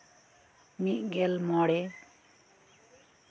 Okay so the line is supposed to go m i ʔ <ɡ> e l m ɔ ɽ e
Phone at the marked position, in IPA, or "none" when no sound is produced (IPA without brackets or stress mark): ɡ